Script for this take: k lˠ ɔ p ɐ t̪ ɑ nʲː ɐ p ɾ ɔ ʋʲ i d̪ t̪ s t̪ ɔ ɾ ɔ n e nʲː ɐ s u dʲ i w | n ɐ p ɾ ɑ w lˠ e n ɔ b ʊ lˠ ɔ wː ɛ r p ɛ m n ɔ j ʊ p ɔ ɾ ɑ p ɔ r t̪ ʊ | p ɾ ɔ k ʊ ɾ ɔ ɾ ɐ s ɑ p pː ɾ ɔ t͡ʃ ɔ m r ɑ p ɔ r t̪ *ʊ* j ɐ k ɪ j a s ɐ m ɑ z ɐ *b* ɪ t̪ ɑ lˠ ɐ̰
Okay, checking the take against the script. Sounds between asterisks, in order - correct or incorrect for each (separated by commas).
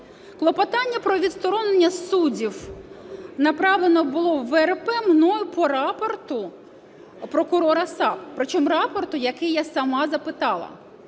correct, incorrect